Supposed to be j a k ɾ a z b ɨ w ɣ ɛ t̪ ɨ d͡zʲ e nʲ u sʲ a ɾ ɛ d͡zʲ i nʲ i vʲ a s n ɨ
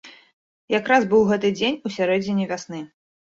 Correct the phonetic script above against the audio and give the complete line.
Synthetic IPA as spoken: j a k ɾ a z b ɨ w ɣ ɛ t̪ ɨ d͡zʲ e nʲ u sʲ a ɾ ɛ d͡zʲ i nʲ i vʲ a s n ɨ